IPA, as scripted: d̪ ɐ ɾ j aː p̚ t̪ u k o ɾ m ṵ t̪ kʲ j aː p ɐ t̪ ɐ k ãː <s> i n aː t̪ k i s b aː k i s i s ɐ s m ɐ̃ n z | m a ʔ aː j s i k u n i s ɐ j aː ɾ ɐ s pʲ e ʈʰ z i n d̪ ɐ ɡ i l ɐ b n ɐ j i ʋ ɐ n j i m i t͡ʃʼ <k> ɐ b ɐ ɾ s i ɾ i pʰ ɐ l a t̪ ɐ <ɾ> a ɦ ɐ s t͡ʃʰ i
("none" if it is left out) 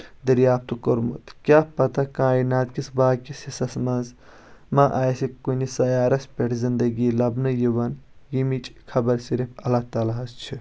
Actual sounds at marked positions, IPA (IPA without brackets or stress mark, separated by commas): none, kʰ, l